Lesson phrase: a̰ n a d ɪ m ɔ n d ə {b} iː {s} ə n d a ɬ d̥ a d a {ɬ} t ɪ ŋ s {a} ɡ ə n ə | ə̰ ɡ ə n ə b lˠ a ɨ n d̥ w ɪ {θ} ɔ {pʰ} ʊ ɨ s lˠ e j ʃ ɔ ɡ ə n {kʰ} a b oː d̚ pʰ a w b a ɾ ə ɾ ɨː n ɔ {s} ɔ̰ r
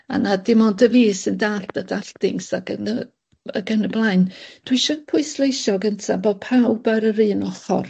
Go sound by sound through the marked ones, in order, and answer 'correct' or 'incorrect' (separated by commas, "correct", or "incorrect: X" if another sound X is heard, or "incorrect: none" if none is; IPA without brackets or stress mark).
incorrect: v, correct, correct, correct, incorrect: ʃ, correct, incorrect: tʰ, incorrect: χ